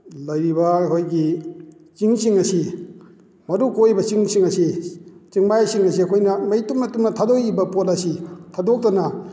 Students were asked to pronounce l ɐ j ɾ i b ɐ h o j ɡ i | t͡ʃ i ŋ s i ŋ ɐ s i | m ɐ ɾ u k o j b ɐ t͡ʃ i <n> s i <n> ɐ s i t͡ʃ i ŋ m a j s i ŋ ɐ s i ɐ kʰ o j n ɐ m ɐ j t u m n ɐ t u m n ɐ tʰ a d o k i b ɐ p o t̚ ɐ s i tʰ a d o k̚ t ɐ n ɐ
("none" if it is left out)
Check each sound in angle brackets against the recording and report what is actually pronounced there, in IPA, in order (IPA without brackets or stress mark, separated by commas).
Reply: ŋ, ŋ